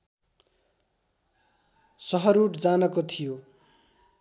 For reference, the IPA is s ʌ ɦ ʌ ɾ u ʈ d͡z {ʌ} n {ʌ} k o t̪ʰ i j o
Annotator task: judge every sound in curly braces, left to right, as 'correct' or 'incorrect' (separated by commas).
incorrect, correct